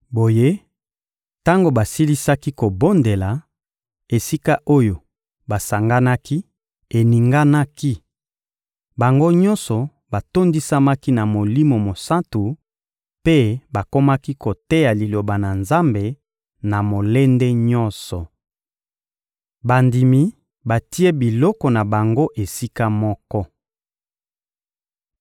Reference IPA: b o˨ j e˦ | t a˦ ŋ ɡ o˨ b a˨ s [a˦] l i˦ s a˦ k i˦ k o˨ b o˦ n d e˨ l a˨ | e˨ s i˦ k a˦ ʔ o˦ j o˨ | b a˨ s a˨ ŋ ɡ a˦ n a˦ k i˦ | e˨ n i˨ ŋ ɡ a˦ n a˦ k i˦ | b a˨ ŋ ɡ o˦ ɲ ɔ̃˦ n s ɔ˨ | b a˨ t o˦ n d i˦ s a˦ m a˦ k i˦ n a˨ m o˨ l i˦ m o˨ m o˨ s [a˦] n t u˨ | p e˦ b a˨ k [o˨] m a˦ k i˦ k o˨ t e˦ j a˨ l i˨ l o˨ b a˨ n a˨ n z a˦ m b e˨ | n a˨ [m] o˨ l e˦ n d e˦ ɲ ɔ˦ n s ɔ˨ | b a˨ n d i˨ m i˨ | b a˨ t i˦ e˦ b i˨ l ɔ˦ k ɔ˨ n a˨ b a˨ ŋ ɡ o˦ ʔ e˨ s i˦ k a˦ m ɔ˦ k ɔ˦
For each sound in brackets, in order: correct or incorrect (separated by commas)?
incorrect, correct, incorrect, correct